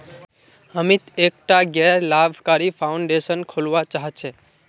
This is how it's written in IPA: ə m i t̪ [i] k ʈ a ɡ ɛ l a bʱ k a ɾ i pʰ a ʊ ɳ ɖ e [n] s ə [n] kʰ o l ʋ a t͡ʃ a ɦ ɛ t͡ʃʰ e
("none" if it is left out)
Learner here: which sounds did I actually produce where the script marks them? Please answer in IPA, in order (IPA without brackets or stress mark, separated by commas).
e, none, n